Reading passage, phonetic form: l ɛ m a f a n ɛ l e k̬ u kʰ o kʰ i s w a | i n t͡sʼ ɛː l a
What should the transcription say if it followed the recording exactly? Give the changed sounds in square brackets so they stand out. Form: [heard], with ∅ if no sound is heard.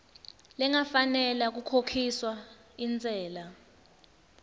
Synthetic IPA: l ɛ [ŋ] a f a n ɛ l [a] k̬ u kʰ o kʰ i s w a | i n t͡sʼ ɛː l a